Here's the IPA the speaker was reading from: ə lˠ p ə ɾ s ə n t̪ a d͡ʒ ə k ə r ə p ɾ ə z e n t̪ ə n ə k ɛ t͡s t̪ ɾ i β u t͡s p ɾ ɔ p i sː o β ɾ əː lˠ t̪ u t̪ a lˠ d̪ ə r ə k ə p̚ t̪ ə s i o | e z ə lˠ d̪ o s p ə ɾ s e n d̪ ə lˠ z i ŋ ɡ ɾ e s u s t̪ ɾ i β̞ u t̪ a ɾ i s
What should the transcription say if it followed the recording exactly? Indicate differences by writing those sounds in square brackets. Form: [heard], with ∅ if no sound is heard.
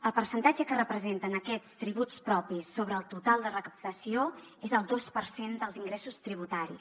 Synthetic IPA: ə lˠ p ə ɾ s ə n t̪ a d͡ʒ ə k ə r ə p ɾ ə z e n t̪ ə n ə k ɛ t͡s t̪ ɾ i β u t͡s p ɾ ɔ p i sː o β ɾ əː lˠ t̪ u t̪ a lˠ d̪ ə r ə k ə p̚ t̪ ə s i o | e z ə lˠ d̪ o s p ə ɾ s e n d̪ ə lˠ z i ŋ ɡ ɾ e s u s t̪ ɾ i β̞ u t̪ a ɾ i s